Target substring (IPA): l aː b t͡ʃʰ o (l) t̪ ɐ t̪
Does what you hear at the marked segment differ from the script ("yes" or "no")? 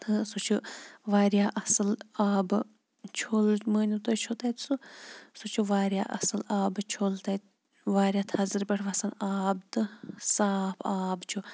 no